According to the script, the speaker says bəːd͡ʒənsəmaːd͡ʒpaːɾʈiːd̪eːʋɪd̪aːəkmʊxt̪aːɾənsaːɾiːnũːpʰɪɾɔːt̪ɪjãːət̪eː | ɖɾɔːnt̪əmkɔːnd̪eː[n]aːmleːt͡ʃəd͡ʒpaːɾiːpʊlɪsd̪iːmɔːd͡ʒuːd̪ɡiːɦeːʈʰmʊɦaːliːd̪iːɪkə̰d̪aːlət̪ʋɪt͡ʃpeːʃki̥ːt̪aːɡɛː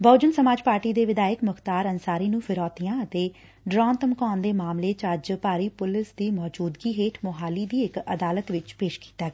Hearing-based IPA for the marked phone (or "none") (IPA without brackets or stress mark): m